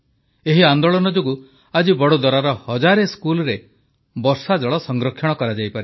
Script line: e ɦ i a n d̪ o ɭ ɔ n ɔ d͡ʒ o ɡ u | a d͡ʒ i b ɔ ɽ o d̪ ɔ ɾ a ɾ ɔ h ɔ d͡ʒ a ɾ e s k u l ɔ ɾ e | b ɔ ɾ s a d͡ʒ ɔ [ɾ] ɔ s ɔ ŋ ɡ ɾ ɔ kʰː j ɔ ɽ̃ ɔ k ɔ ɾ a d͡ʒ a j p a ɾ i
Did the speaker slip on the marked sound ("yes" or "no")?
yes